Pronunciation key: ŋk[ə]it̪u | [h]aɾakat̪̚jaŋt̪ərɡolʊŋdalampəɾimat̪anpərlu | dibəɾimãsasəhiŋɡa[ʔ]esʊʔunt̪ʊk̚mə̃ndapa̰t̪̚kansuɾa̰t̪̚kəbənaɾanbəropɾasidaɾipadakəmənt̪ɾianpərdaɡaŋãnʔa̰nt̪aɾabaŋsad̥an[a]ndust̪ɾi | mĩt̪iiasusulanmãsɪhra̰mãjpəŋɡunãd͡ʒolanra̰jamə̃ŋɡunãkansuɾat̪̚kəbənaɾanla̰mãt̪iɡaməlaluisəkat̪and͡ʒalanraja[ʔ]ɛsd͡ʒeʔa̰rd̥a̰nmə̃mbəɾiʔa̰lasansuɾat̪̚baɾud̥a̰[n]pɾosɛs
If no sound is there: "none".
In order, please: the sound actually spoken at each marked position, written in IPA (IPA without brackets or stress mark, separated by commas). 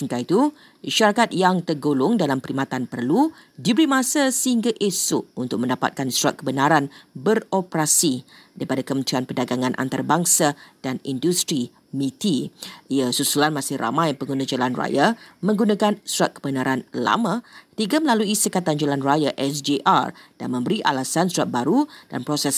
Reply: a, ʃ, ʔ, i, ʔ, n